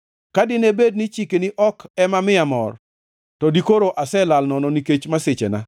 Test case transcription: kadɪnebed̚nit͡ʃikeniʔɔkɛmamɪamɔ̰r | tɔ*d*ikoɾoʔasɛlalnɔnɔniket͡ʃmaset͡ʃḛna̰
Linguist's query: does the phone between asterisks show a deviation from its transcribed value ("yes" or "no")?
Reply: no